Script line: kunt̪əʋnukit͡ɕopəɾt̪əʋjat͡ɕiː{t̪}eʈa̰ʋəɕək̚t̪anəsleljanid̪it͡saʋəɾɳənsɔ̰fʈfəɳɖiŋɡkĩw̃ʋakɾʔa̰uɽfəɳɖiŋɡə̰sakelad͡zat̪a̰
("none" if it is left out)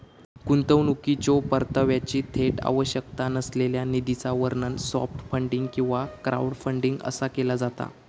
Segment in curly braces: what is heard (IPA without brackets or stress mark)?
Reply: t̪ʰ